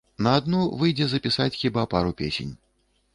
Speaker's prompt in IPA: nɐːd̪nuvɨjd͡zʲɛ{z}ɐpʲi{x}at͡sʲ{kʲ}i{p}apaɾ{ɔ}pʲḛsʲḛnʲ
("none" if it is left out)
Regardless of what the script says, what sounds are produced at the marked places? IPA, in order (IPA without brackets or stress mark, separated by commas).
z, s, xʲ, b, u